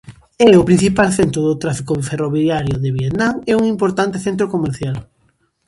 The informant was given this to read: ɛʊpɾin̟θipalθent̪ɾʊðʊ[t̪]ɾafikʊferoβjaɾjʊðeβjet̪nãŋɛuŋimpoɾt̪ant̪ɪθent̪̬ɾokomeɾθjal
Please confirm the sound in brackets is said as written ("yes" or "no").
yes